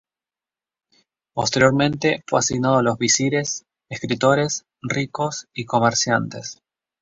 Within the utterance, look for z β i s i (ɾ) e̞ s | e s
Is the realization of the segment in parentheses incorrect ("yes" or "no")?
no